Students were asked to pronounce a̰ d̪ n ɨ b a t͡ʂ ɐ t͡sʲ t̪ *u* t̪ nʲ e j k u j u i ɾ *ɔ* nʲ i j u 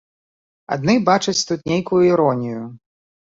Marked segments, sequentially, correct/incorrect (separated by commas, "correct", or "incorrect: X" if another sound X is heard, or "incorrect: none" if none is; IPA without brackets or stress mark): correct, correct